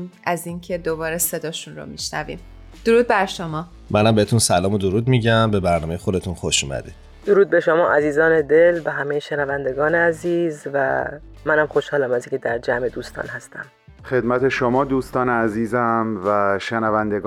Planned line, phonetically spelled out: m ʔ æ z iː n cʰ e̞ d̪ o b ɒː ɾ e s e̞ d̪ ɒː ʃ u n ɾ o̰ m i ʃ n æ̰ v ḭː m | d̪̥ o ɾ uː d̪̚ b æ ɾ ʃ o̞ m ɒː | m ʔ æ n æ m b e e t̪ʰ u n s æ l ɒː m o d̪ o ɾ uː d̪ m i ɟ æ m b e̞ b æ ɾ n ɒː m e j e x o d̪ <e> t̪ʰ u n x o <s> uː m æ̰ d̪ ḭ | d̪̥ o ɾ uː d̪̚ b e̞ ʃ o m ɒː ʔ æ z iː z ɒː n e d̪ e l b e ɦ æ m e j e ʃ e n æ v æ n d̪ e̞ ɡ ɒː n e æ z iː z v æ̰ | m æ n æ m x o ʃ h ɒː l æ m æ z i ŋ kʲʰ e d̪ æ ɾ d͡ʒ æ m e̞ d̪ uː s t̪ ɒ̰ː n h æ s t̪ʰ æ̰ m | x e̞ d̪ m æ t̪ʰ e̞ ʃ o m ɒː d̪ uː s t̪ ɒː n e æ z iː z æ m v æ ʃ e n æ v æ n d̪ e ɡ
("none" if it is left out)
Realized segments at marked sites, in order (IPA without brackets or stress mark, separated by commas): e, ʃ